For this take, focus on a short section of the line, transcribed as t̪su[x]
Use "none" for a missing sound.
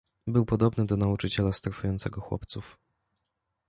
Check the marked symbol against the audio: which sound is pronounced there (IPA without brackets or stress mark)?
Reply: f